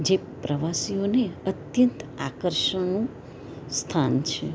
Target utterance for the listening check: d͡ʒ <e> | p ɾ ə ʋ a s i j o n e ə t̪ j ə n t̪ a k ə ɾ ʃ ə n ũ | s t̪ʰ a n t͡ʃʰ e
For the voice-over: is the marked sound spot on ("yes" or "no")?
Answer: yes